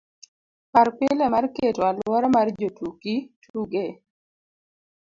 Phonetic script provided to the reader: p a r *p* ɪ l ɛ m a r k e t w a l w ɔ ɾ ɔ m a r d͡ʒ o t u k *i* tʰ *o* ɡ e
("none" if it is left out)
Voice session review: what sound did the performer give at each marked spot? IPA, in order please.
p, i, u

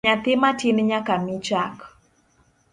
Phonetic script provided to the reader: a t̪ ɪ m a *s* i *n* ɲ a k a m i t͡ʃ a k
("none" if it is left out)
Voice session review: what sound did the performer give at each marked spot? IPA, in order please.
t, n

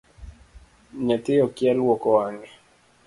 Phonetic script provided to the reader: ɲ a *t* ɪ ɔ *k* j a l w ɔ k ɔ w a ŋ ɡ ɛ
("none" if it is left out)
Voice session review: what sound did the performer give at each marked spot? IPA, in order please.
t, k

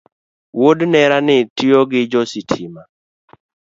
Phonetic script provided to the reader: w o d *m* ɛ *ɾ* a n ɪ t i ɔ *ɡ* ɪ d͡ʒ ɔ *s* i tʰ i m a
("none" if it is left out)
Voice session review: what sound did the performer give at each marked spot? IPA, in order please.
n, ɾ, ɡ, s

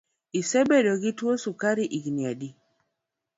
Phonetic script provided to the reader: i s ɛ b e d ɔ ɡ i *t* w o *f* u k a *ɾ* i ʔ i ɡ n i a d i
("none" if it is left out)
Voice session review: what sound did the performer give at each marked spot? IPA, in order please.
t, s, ɾ

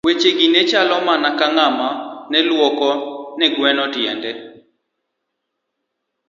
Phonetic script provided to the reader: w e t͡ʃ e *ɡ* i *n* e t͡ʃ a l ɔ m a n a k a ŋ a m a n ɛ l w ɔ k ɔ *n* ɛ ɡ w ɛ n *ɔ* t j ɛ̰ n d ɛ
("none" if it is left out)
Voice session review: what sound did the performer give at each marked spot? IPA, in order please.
ɡ, n, n, ɔ

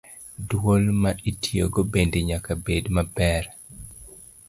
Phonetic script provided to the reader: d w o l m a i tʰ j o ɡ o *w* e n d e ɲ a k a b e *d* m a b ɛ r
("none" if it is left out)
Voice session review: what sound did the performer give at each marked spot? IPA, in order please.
b, d

